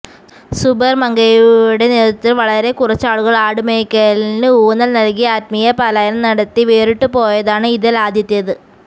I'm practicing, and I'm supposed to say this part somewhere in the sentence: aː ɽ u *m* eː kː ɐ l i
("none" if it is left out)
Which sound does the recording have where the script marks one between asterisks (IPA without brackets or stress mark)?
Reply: m